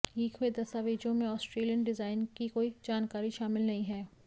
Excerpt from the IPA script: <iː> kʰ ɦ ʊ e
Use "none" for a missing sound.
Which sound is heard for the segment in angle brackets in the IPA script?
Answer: iː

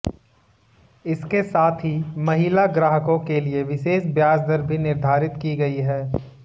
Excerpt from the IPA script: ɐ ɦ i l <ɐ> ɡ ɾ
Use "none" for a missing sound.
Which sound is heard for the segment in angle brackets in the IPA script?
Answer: a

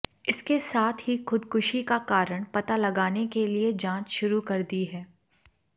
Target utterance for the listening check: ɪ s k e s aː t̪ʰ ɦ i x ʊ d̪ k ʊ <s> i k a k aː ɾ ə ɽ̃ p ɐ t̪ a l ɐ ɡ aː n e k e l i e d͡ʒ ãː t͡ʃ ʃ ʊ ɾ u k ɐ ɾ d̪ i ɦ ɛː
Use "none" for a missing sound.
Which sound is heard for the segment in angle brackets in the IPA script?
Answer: ʃ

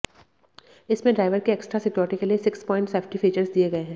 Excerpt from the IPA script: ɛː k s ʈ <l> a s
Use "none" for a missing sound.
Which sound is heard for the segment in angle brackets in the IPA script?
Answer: ɾ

